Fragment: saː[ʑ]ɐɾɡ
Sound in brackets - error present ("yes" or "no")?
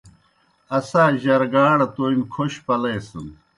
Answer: no